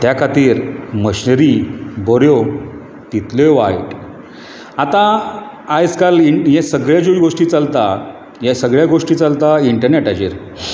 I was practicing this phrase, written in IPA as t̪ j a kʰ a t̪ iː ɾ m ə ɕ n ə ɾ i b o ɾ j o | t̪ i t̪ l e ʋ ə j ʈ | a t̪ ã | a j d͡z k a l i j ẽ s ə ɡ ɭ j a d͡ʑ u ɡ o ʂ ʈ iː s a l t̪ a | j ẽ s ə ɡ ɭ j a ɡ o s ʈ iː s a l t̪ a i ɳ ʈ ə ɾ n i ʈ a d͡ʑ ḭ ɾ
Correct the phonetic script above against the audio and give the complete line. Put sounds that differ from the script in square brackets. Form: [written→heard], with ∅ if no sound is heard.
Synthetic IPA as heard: t̪ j a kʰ a t̪ iː ɾ m ə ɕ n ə ɾ i b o ɾ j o | t̪ i t̪ l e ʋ [ə→a] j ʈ | a t̪ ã | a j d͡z k a l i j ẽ s ə ɡ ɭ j a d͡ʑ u ɡ o ʂ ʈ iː [s→t͡s] a l t̪ a | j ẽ s ə ɡ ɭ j a ɡ o [s→ʂ] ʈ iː [s→t͡s] a l t̪ a i ɳ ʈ ə ɾ n [i→e] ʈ a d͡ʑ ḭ ɾ